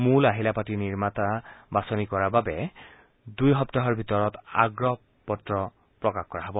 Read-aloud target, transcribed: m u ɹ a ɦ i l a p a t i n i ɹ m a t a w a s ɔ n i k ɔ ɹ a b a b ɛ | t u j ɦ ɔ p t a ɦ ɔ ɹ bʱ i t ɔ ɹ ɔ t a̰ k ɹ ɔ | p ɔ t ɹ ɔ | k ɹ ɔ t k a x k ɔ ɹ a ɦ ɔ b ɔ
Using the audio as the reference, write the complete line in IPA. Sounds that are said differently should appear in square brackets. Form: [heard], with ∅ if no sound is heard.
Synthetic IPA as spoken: m u [l] a ɦ i l a p a t i n i ɹ m a t a [b] a s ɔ n i k ɔ ɹ a b a b ɛ | [d] u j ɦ ɔ p t a ɦ ɔ ɹ bʱ i t ɔ ɹ ɔ t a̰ [ɡ] ɹ ɔ | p ɔ t ɹ ɔ | [p] ɹ ɔ [∅] k a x k ɔ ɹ a ɦ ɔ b ɔ